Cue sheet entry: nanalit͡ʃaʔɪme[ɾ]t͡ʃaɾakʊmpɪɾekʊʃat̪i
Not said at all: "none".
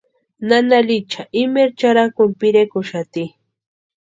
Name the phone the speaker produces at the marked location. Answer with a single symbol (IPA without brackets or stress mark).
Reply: ɾ